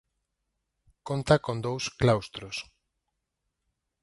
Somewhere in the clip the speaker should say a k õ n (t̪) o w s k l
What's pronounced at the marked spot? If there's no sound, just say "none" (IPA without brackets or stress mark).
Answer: d̪